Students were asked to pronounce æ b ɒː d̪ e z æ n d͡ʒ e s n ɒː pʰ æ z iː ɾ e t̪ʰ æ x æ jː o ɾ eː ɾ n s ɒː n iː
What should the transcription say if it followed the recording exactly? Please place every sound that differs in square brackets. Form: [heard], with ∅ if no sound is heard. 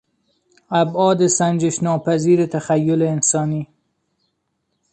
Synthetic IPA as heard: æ b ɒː d̪ e [s] æ n d͡ʒ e [ʃ] n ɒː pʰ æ z iː ɾ e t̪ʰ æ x æ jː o [l] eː [∅] n s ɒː n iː